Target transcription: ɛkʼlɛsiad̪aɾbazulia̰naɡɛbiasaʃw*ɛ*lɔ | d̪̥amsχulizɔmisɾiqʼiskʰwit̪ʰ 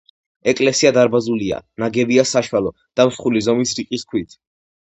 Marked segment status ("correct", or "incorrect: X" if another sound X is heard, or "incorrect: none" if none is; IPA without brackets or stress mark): incorrect: a